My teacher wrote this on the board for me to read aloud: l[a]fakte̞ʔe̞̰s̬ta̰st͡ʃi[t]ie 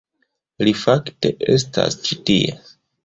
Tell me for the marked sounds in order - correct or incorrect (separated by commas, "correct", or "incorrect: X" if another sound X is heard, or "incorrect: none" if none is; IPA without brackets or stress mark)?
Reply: incorrect: i, correct